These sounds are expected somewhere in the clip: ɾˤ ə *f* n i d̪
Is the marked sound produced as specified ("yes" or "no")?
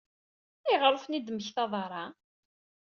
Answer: yes